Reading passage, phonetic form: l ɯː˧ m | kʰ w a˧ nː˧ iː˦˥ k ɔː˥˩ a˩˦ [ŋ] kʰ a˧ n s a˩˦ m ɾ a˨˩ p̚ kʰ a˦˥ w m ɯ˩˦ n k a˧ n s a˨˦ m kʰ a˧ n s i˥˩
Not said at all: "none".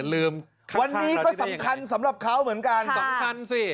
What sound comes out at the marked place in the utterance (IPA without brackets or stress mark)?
m